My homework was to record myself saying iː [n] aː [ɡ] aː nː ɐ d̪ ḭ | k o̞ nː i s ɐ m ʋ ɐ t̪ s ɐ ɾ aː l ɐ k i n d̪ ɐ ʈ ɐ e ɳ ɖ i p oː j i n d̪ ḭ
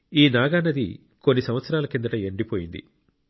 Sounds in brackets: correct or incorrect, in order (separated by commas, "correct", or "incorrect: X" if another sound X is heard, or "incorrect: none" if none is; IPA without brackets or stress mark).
correct, correct